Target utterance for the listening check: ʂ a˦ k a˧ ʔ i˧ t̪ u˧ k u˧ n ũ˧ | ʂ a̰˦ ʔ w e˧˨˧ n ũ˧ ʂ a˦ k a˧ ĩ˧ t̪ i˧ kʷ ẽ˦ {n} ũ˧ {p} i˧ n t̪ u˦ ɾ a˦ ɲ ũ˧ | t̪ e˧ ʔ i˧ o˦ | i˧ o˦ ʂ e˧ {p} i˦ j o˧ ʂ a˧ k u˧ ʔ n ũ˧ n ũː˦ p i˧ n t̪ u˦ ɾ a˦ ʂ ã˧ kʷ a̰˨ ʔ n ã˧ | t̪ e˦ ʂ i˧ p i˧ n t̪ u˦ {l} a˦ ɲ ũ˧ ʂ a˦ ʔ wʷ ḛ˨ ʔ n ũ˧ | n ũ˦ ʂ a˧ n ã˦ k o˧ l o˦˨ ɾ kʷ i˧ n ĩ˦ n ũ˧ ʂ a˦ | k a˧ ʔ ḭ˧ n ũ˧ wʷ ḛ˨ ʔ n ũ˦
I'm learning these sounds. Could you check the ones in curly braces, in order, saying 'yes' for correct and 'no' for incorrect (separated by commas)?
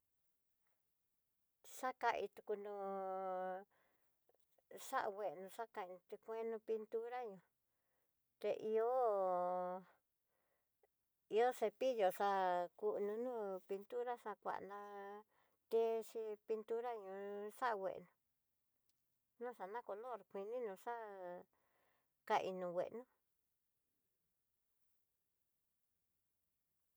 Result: yes, yes, yes, no